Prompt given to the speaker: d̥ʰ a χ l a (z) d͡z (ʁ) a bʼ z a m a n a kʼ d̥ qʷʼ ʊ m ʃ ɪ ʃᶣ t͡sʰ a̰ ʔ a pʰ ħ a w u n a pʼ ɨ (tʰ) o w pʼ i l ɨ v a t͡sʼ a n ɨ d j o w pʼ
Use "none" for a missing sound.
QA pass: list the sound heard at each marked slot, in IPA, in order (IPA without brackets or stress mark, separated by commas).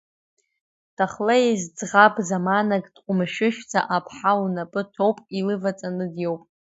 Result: z, ʁ, tʰ